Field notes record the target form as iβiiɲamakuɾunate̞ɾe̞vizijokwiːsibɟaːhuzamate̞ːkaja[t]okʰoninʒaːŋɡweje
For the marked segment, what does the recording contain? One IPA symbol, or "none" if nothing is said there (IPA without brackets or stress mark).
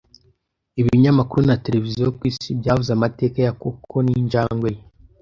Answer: k